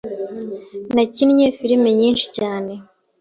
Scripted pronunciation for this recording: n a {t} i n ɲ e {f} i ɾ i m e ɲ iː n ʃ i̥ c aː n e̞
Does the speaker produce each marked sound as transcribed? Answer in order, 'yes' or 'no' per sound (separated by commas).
no, yes